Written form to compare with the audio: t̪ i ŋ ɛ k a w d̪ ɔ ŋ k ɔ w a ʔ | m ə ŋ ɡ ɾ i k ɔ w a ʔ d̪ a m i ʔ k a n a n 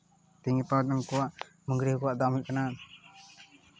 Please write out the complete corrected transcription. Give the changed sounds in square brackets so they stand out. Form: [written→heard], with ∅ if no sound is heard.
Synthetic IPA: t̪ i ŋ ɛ [k→p] a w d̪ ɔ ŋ k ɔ w a ʔ | m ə ŋ ɡ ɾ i k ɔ w a ʔ d̪ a m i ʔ k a n a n